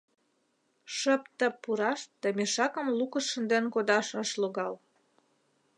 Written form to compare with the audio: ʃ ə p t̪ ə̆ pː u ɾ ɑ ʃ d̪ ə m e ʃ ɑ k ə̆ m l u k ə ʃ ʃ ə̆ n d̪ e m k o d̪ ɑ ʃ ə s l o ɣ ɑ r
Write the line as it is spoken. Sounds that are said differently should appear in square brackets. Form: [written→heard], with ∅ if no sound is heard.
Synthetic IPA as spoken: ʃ ə p t̪ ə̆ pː u ɾ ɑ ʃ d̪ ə m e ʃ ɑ k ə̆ m l u k ə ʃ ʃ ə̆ n d̪ e [m→n] k o d̪ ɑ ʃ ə [s→ʃ] l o ɣ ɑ [r→l]

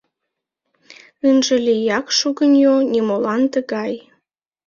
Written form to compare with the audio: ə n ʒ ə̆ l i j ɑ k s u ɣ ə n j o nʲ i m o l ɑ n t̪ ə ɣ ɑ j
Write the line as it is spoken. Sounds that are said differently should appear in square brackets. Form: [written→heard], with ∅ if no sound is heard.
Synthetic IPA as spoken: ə n ʒ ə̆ l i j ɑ k [s→ʃ] u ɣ ə n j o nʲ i m o l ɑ n t̪ ə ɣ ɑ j

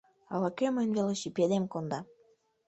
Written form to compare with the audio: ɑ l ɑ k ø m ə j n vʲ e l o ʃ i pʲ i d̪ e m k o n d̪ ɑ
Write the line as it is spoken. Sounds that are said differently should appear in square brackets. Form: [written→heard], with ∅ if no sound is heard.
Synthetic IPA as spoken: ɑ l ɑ k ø m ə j n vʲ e l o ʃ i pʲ [i→e] d̪ e m k o n d̪ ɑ

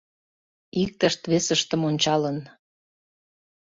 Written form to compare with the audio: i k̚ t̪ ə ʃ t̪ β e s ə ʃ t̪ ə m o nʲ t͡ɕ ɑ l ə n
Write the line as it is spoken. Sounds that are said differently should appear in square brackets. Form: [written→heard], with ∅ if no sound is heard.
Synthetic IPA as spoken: i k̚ t̪ ə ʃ t̪ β e s ə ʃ t̪ ə m o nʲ t͡ɕ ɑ l ə n

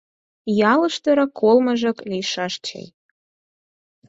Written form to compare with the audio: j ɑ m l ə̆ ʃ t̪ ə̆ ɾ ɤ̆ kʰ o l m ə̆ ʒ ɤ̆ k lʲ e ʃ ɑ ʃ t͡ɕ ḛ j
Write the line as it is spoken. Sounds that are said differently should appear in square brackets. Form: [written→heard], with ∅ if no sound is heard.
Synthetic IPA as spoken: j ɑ [m→∅] l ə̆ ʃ t̪ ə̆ ɾ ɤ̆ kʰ o l m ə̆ ʒ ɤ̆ k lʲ [e→i] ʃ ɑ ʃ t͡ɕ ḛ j

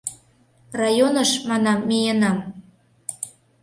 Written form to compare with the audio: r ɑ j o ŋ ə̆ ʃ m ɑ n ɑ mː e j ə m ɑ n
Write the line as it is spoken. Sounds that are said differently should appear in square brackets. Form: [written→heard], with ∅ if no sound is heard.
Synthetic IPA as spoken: r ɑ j o [ŋ→n] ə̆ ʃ m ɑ n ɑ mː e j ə [m→n] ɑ [n→m]

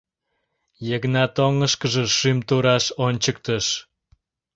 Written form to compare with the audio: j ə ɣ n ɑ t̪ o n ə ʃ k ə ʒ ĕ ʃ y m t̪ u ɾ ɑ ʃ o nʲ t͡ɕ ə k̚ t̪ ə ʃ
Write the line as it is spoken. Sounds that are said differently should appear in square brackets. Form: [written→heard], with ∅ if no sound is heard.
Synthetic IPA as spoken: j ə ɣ n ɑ t̪ o [n→ŋ] ə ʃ k ə ʒ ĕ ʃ y m t̪ u ɾ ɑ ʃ o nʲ t͡ɕ ə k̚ t̪ ə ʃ

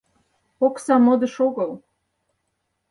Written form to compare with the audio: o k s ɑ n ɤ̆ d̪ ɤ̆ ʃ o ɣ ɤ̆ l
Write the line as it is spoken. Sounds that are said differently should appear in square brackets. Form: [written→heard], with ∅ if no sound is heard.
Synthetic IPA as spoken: o k s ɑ [n→m] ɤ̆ d̪ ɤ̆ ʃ o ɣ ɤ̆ l

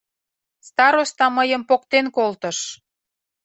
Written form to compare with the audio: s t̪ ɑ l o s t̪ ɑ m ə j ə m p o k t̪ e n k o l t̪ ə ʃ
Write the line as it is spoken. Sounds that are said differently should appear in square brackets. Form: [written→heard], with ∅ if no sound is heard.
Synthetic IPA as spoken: s t̪ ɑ [l→ɾ] o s t̪ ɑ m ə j ə m p o k t̪ e n k o l t̪ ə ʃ

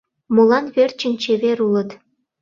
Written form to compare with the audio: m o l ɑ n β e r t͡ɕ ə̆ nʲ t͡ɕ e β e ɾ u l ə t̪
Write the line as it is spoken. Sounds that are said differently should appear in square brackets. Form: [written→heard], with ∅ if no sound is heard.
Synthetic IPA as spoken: m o l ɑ n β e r t͡ɕ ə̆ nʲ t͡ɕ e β e ɾ u l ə t̪

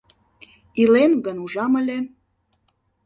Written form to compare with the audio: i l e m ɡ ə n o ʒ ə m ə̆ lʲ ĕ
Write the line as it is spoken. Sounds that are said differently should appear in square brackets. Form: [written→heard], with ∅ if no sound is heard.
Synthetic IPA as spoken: i l e [m→n] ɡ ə n [o→u] ʒ [ə→ɑ] m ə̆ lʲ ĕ

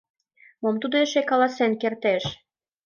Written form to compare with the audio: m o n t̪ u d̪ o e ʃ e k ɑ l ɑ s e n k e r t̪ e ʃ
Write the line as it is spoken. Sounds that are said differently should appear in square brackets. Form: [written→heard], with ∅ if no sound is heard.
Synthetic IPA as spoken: m o [n→m] t̪ u d̪ o e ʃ e k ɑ l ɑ s e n k e r t̪ e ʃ

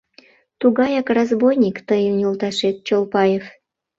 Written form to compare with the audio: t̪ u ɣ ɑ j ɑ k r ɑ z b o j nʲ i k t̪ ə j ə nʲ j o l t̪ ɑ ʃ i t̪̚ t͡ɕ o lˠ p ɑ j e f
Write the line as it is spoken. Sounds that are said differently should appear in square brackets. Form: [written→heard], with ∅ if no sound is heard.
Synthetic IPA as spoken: t̪ u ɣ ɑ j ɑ k r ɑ z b o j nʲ i k t̪ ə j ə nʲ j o l t̪ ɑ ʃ [i→e] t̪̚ t͡ɕ o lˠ p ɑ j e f

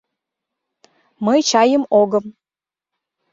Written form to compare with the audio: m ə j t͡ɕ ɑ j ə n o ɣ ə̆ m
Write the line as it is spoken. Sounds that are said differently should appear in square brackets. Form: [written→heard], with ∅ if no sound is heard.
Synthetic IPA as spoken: m ə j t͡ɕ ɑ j ə [n→m] o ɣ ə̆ m

